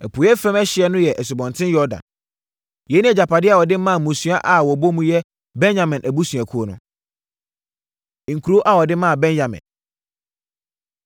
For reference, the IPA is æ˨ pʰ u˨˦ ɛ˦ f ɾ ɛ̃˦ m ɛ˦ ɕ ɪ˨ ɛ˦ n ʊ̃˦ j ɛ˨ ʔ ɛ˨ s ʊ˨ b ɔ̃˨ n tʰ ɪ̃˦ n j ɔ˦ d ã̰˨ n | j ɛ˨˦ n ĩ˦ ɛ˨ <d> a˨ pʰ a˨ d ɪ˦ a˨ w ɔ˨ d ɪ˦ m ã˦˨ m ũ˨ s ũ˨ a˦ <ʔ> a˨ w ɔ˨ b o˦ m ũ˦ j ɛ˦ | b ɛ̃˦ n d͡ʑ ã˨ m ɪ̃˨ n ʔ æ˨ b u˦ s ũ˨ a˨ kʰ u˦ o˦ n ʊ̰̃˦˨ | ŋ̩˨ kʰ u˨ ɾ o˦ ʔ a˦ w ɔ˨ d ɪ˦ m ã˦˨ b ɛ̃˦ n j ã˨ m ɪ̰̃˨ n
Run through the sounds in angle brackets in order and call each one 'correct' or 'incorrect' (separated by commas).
incorrect, correct